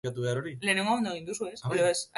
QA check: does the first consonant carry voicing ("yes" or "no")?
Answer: no